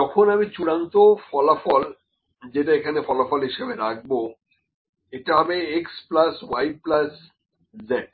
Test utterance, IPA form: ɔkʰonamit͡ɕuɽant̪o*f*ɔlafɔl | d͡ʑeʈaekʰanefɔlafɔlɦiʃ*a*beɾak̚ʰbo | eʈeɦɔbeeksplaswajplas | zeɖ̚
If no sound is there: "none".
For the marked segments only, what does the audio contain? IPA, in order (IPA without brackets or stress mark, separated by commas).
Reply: f, e